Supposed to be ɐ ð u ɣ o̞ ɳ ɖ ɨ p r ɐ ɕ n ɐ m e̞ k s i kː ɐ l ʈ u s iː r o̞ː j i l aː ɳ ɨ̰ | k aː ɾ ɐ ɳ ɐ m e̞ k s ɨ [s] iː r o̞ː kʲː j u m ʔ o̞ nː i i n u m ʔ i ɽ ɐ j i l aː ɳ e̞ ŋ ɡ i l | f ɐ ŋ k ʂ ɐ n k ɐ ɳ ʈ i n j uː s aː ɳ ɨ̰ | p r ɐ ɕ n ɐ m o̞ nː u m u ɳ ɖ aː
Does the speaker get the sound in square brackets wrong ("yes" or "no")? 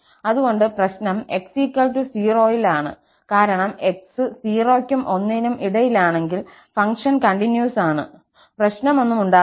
no